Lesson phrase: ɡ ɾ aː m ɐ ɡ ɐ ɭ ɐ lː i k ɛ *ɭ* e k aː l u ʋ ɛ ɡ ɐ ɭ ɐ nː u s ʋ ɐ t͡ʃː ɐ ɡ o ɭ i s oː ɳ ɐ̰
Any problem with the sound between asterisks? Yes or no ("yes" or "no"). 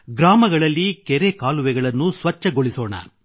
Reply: yes